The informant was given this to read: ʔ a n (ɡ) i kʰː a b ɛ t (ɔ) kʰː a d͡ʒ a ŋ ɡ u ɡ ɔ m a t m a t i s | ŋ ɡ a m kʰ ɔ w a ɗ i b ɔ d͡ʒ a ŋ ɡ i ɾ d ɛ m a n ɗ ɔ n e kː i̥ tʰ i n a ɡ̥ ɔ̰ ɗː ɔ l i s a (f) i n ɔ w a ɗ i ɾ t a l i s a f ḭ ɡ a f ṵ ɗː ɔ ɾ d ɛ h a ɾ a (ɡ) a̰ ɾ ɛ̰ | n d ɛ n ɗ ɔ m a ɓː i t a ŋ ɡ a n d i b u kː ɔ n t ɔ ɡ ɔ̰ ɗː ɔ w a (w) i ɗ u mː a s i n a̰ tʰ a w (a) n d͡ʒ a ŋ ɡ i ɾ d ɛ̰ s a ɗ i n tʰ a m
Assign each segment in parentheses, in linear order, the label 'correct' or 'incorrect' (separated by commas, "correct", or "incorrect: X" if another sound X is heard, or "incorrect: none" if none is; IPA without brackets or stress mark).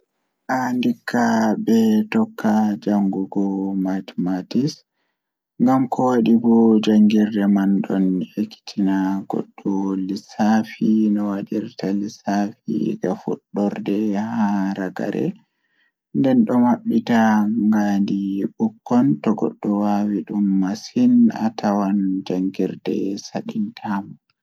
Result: incorrect: d, correct, correct, correct, correct, correct